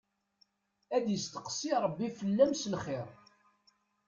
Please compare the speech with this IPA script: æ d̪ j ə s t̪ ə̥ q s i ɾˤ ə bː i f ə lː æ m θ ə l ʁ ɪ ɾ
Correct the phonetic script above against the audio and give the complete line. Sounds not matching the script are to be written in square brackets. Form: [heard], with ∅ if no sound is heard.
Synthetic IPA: æ d̪ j ə s t̪ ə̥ q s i ɾˤ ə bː i f ə lː æ m [s] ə l [χ] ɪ ɾ